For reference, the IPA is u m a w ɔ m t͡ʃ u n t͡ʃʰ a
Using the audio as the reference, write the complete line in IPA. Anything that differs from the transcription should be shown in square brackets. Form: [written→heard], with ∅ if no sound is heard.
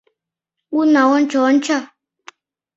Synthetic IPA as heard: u [m→n] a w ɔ [m→n] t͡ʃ [u→ɔ] n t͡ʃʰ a